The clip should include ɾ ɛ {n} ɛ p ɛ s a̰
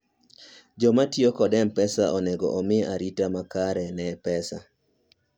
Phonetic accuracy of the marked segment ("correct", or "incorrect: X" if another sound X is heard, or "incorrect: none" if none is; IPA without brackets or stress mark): correct